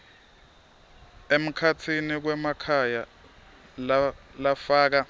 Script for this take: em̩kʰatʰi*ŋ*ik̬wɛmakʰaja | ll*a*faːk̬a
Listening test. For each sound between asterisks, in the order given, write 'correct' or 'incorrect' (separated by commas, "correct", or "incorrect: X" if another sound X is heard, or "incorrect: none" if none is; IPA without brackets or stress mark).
incorrect: n, correct